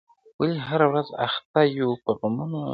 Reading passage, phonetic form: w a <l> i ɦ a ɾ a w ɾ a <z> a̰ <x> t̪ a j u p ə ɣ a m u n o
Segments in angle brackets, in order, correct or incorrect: correct, correct, correct

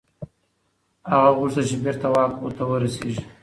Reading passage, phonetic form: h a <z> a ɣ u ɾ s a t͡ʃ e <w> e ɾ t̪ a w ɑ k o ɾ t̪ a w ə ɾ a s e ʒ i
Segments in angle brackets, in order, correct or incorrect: incorrect, incorrect

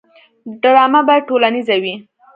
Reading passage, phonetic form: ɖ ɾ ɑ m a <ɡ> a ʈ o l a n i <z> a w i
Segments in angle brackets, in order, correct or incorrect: incorrect, correct

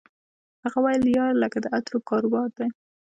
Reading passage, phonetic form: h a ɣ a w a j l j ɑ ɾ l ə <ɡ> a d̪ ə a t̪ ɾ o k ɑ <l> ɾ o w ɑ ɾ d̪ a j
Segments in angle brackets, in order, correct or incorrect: incorrect, incorrect

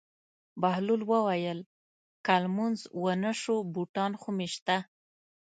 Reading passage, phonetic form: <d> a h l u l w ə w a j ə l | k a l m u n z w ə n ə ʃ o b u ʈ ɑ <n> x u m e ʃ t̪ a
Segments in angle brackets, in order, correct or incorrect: incorrect, correct

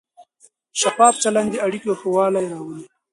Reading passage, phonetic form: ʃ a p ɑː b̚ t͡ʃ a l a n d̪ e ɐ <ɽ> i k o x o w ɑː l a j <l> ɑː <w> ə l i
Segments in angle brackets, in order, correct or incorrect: correct, incorrect, correct

